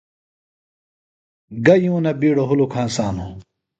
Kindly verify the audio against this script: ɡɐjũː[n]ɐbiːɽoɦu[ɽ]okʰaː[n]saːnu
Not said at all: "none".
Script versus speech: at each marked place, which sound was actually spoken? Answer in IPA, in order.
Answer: n, l, n

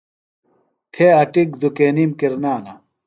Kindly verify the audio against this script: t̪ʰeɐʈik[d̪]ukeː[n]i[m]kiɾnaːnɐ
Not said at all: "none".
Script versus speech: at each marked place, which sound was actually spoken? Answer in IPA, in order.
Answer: d̪, n, m

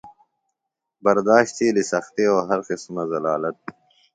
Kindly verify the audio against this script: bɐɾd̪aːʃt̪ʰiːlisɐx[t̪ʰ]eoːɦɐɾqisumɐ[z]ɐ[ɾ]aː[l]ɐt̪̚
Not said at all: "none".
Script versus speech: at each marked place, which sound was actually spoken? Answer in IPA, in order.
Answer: t̪, z, l, l

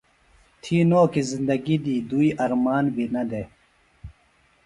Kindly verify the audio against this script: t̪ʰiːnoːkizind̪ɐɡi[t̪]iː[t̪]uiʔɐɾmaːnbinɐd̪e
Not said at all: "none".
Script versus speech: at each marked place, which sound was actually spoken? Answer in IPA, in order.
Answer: d̪, d̪

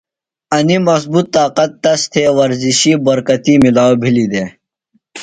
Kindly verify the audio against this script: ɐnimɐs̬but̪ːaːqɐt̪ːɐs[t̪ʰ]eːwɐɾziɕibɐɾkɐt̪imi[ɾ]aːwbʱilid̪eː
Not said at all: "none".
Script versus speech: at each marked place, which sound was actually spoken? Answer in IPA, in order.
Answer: t̪ʰ, l

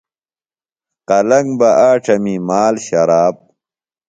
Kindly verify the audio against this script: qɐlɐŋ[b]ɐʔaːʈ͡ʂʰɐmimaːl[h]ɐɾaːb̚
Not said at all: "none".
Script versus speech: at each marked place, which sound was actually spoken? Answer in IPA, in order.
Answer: b, ɕ

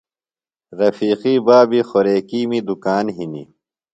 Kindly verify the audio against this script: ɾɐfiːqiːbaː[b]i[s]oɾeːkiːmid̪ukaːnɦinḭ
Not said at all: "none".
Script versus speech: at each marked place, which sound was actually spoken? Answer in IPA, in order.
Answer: b, x

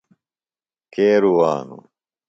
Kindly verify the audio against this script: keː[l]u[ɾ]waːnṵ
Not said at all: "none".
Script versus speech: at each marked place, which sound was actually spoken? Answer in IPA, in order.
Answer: ɾ, none

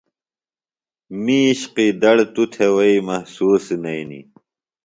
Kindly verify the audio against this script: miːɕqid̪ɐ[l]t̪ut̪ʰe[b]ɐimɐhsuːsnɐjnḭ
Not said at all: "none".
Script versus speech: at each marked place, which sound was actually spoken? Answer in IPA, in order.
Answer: ɽ, w

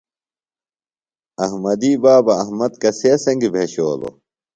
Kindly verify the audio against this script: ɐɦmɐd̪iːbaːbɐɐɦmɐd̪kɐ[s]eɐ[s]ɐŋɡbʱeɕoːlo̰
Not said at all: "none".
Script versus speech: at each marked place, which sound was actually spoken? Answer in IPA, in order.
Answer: s, s

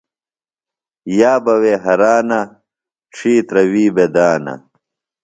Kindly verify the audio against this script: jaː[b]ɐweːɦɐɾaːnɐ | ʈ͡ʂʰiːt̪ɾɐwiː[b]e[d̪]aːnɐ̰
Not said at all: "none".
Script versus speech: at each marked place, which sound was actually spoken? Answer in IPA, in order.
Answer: b, b, d̪

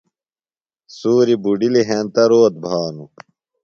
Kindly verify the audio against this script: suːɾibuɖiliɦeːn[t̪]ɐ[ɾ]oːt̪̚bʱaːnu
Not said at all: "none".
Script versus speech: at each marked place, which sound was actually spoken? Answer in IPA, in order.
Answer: t̪, ɾ

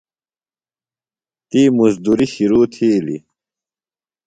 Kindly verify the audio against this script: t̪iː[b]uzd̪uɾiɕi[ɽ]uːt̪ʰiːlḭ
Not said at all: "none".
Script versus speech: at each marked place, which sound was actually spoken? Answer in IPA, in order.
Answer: m, ɾ

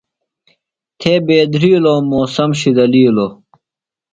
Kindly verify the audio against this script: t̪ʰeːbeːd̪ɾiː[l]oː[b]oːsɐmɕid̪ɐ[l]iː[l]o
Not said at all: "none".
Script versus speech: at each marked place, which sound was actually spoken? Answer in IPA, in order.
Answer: l, m, l, l

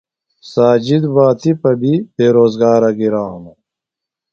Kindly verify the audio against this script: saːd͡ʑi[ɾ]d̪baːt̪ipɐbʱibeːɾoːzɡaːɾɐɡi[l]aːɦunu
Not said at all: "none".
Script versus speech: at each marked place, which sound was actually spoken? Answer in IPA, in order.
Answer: none, ɾ

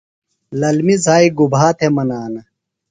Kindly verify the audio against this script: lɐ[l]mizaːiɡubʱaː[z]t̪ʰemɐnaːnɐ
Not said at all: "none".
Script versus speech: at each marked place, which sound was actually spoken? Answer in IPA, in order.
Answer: l, none

